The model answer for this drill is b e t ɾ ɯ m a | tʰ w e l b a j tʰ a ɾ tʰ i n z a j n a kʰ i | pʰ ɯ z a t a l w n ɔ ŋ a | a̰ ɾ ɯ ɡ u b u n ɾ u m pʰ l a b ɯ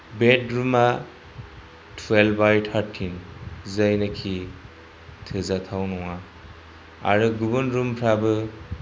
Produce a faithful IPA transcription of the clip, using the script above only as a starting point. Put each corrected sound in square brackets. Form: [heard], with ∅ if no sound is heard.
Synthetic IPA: b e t ɾ [u] m a | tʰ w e l b a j tʰ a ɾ tʰ i n z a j n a kʰ i | [tʰ] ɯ z a [tʰ] a [∅] w n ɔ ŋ a | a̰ ɾ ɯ ɡ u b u n ɾ u m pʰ [ɾ] a b ɯ